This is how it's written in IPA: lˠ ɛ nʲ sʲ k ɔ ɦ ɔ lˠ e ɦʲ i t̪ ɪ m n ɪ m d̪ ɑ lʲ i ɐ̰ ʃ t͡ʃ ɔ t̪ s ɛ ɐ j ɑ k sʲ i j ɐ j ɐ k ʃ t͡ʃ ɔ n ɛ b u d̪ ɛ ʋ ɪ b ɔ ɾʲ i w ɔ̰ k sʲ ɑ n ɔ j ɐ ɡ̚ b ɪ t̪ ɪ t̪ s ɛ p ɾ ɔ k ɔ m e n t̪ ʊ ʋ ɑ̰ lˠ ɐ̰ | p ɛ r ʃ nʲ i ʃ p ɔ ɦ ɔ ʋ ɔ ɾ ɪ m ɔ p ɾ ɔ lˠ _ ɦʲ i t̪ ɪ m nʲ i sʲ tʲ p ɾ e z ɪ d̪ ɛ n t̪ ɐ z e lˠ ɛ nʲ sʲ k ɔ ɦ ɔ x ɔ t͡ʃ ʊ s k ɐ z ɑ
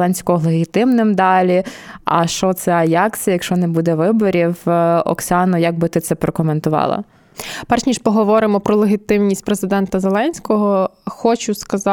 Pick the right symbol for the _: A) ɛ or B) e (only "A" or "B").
B